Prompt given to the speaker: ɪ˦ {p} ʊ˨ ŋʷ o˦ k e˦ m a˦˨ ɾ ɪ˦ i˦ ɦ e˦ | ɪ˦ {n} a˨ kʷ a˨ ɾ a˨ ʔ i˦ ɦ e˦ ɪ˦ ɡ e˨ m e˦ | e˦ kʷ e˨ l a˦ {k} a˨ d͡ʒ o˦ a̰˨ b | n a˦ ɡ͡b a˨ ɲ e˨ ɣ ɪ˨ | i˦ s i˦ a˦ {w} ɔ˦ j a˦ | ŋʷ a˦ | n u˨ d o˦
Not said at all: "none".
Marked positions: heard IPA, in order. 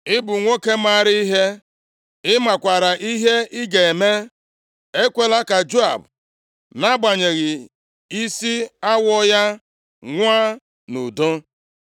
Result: b, m, k, w

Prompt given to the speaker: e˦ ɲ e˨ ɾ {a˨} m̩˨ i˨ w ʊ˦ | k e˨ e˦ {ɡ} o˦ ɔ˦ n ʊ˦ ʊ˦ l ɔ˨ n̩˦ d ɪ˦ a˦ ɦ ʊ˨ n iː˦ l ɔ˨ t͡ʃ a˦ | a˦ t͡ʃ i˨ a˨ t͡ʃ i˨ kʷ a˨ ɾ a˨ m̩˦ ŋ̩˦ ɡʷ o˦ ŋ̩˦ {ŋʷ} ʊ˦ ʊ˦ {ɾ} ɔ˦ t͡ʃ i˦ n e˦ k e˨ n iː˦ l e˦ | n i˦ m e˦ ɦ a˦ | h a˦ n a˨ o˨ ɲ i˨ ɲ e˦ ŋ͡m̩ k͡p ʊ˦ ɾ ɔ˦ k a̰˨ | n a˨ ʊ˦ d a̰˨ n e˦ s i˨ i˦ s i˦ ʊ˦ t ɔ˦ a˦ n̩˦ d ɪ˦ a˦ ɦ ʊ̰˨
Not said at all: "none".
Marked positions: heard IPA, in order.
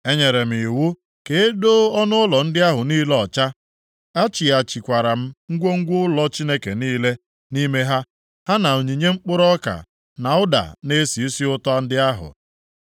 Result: e˨, d, ɡʷ, l

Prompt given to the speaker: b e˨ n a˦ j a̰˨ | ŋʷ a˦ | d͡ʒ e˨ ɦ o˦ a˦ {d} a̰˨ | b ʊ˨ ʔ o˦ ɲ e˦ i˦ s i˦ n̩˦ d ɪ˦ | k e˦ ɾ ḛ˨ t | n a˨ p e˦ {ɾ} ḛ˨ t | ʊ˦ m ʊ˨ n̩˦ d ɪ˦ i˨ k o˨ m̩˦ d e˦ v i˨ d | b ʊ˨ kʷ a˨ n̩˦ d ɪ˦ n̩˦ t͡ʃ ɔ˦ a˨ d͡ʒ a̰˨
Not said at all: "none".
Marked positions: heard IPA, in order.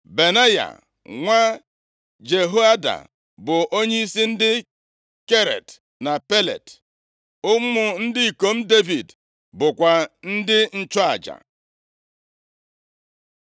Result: d, l

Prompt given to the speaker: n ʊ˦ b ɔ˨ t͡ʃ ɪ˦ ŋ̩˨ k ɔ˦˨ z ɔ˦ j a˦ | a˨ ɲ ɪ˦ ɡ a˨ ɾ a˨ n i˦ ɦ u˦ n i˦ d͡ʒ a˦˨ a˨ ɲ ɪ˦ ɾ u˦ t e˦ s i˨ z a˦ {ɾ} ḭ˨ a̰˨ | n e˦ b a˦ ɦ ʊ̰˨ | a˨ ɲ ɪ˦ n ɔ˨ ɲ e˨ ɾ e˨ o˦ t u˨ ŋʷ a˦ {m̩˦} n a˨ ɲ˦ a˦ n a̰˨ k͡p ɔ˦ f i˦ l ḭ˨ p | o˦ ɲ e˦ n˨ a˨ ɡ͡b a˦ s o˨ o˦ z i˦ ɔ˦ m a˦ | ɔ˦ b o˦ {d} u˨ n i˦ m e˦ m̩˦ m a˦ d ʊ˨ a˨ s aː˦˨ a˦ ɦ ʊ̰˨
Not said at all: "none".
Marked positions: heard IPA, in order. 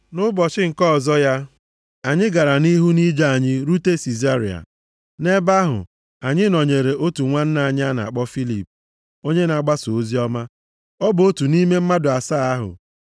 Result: ɾ, n̩˦, t

